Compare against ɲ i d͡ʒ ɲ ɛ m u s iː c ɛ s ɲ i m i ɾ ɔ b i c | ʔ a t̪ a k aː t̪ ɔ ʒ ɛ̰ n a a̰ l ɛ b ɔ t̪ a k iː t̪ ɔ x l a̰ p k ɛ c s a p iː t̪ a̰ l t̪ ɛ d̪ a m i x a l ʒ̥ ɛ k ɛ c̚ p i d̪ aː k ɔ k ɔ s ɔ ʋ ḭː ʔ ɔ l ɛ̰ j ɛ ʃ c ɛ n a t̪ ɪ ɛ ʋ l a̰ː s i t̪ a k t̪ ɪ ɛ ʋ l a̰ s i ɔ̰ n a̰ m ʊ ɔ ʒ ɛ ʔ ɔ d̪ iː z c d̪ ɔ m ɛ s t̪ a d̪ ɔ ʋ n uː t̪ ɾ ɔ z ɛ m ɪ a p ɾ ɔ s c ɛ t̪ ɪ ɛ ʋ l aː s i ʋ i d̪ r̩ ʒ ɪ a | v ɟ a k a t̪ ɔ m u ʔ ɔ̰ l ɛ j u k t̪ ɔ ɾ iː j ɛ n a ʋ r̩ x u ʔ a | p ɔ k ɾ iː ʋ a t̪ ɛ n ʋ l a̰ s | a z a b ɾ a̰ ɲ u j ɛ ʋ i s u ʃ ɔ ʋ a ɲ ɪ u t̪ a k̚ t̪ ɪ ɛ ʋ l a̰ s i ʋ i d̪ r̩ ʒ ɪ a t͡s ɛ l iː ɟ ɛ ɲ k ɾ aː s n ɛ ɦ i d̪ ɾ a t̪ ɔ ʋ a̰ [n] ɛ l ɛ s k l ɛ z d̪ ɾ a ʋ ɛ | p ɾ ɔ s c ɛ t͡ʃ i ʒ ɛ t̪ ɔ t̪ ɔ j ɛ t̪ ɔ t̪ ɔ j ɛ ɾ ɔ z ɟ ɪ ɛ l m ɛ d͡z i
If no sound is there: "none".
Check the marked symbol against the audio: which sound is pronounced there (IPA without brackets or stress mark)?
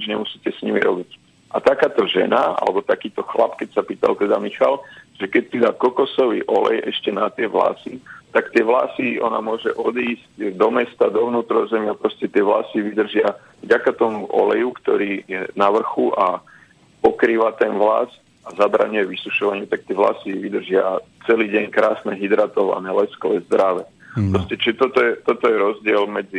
n